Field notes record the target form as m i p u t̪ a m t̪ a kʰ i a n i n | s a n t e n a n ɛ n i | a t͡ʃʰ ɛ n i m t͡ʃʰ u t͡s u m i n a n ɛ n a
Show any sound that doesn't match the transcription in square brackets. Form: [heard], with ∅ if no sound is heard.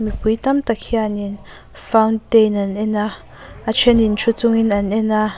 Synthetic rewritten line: m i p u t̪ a m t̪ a kʰ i a n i n | [f] a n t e n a n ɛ n [a] | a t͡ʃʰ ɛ n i [n] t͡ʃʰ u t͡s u [ŋ] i n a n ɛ n a